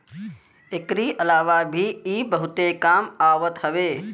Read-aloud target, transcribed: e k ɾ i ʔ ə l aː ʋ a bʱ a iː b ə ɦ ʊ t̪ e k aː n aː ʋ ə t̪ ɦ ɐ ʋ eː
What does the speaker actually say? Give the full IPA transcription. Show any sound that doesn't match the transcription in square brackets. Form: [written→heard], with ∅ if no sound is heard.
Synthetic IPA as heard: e k ɾ i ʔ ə l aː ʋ a bʱ [a→i] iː b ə ɦ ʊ t̪ e k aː [n→m] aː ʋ ə t̪ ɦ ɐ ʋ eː